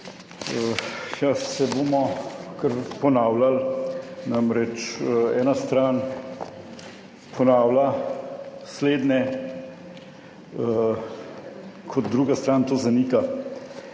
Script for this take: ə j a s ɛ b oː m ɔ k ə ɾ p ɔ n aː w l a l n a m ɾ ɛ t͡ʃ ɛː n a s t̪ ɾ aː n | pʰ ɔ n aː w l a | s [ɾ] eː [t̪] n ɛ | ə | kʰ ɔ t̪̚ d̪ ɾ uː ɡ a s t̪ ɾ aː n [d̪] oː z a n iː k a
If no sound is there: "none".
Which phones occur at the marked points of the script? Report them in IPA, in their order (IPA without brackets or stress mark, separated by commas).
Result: l, d̪, t̪